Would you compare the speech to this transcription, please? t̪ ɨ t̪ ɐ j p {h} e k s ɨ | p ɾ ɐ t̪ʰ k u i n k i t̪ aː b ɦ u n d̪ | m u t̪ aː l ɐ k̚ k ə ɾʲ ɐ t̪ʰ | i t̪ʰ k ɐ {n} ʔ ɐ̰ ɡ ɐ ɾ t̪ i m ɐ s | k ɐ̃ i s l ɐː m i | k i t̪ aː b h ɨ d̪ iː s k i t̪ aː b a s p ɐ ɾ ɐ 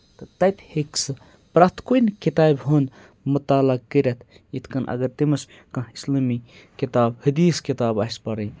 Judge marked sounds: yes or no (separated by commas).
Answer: yes, yes